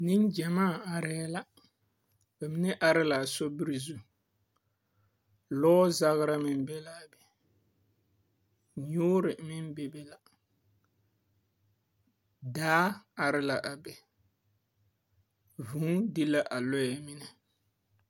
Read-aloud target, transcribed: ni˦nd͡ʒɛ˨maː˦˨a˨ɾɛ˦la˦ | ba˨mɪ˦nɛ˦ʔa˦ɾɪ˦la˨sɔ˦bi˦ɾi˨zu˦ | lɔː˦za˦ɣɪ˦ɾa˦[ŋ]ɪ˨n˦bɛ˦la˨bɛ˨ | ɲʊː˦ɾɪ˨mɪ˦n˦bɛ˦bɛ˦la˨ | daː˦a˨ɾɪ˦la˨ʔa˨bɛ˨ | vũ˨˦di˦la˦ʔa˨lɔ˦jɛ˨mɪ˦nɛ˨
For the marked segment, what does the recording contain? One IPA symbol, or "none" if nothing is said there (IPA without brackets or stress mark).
m